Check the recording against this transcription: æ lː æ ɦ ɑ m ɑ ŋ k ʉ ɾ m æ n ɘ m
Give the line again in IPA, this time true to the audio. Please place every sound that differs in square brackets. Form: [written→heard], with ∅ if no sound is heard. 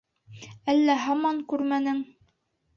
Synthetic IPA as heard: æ lː æ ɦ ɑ m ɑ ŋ k ʉ ɾ m æ n ɘ [m→ŋ]